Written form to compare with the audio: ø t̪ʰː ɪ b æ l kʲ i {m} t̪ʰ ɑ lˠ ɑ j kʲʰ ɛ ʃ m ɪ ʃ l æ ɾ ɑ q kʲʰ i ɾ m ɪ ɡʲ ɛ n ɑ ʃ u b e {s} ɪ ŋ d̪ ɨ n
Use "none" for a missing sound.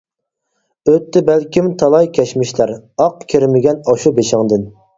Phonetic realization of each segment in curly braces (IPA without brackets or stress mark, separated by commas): m, ʃ